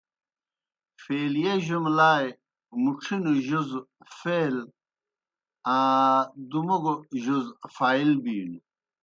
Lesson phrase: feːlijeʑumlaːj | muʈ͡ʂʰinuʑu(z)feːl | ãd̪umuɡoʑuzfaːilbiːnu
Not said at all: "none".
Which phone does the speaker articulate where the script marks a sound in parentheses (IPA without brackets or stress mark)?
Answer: z